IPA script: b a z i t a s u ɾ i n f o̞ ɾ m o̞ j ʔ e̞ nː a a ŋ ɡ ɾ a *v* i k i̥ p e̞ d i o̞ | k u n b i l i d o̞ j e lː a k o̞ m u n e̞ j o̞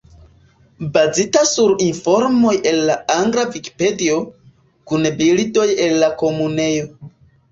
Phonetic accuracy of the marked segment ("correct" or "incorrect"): correct